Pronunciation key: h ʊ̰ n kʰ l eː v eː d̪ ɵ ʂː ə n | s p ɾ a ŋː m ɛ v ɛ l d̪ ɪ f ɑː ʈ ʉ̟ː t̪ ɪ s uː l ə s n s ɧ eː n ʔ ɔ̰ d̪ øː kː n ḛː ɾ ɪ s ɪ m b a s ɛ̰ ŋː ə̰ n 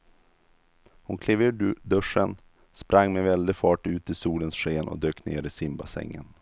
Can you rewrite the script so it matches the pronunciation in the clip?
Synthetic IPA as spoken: h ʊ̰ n kʰ l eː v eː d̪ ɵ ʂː ə n | s p ɾ a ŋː m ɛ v ɛ l d̪ ɪ f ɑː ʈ ʉ̟ː t̪ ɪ s uː l ə n s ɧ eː n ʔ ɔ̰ d̪ øː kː n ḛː ɾ ɪ s ɪ m b a s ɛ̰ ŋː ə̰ n